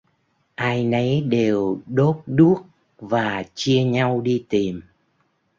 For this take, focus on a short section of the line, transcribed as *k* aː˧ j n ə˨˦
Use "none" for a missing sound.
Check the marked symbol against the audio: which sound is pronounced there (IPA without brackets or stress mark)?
ʔ